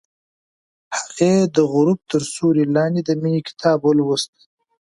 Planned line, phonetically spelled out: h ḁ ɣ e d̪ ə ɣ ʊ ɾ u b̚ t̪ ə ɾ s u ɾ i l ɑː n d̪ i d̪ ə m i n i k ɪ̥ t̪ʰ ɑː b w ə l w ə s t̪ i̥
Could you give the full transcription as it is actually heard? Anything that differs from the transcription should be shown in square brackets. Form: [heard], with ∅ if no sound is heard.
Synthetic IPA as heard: h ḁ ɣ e d̪ ə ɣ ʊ ɾ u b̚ t̪ ə ɾ s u ɾ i l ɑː n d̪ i d̪ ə m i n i k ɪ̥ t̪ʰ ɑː b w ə l w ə s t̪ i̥